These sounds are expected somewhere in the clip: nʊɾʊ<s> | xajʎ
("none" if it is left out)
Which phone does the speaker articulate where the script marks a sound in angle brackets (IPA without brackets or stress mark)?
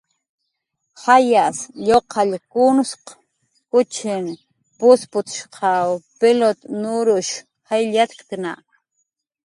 ʃ